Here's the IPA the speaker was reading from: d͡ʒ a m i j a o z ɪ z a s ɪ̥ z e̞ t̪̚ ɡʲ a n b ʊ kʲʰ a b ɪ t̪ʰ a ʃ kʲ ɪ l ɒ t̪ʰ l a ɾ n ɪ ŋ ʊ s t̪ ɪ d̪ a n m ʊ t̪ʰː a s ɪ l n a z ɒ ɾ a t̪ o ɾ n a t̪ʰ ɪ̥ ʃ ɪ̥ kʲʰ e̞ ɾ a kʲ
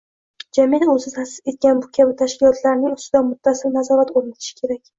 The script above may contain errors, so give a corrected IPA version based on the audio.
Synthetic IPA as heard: d͡ʒ a m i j a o z ɪ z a s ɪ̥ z e̞ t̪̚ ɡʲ a n b ʊ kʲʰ a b ɪ t̪ʰ a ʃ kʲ ɪ l ɒ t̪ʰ l a ɾ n ɪ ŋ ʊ s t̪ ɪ d̪ a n m ʊ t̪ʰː a s ɪ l n a z ɒ ɾ a t̪ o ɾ n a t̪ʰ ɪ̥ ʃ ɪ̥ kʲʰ e̞ ɾ a kʲ